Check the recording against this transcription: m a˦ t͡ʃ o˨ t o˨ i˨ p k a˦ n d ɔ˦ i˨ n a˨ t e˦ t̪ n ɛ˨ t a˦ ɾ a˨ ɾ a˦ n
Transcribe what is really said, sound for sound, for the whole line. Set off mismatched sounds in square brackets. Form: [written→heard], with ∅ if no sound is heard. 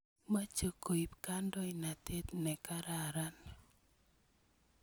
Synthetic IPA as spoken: m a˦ t͡ʃ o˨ [t→k] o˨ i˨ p k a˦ n d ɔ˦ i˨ n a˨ t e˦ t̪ n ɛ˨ [t→k] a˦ ɾ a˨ ɾ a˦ n